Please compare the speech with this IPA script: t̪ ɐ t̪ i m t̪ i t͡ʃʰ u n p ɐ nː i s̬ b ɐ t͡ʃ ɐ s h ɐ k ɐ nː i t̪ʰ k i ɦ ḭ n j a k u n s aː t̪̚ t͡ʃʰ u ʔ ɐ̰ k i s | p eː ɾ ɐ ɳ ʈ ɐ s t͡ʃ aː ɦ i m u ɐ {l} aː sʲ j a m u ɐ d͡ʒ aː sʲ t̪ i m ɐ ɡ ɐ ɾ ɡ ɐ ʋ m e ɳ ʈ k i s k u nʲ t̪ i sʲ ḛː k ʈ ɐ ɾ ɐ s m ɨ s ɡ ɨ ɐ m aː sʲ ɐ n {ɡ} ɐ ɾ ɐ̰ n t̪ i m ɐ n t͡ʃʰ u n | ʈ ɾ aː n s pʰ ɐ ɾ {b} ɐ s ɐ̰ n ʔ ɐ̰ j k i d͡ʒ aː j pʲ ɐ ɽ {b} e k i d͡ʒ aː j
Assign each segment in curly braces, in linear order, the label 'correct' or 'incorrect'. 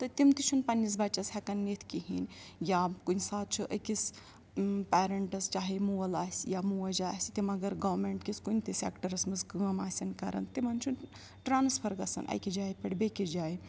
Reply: correct, incorrect: k, incorrect: ɡ, correct

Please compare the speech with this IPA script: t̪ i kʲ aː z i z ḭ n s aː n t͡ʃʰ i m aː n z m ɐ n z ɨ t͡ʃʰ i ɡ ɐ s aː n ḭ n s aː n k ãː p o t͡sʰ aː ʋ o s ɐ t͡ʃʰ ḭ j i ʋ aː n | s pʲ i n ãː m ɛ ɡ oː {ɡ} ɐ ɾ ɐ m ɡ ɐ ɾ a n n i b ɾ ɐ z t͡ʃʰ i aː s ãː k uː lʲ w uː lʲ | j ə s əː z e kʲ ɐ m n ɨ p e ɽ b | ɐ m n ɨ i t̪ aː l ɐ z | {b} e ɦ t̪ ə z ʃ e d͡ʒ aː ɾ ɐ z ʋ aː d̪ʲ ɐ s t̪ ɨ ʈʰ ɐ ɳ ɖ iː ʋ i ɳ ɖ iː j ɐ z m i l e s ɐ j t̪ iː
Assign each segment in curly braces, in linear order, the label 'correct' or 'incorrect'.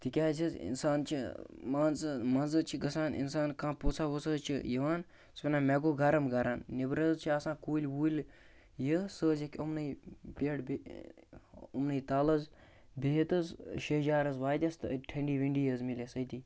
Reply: correct, correct

